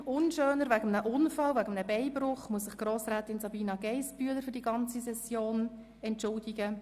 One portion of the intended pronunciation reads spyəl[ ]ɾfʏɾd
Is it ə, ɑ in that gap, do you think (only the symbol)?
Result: ə